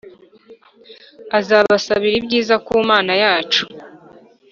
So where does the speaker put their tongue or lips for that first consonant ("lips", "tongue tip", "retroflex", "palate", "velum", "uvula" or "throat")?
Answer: tongue tip